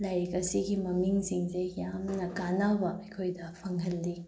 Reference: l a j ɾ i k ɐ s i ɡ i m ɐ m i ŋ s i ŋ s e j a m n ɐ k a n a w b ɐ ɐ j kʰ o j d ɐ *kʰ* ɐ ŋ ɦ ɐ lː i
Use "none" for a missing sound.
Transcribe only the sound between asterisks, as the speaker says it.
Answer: pʰ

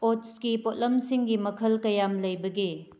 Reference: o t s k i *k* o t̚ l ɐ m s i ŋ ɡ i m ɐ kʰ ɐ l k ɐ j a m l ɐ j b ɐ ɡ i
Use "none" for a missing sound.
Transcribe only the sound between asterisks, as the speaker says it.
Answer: p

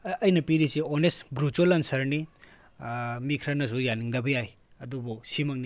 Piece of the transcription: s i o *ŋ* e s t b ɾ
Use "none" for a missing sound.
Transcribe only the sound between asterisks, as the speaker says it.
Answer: n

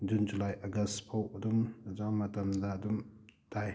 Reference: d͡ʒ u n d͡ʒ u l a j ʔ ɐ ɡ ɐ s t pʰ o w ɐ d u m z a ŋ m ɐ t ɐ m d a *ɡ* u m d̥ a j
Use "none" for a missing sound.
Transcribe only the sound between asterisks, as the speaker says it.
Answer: d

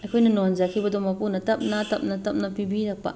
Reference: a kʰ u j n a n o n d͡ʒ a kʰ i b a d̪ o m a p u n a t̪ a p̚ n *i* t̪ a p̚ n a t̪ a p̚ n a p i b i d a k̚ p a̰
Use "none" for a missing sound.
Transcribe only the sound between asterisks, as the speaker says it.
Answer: a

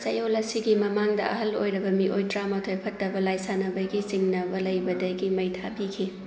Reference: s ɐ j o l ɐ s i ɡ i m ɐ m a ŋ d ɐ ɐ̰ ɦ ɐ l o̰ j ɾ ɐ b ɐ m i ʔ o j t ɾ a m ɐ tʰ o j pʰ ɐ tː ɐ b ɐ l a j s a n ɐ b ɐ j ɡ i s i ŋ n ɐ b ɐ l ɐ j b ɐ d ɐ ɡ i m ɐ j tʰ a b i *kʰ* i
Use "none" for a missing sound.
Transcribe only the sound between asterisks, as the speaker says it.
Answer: kʰ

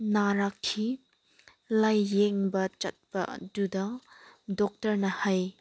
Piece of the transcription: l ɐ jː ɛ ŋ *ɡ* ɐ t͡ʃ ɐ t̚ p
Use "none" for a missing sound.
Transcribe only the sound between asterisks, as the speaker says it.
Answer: b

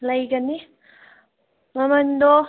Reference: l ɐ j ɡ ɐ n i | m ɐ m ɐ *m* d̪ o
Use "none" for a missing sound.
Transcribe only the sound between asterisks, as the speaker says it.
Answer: n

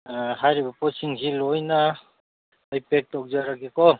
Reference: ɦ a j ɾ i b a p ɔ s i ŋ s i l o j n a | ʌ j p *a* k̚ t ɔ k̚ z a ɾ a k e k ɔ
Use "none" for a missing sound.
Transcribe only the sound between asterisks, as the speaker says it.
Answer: e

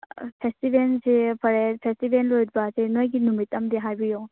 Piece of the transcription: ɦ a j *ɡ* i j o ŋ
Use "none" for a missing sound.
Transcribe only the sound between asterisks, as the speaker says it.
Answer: b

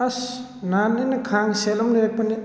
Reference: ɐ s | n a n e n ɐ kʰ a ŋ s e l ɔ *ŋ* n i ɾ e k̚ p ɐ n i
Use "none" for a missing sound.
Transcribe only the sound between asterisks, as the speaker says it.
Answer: m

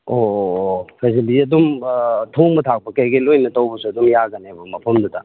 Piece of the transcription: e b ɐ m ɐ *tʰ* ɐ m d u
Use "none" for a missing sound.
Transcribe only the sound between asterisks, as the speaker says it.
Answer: pʰ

